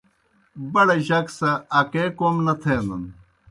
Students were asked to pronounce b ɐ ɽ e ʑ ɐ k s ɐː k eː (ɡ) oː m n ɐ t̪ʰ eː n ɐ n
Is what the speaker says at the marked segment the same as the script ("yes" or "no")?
no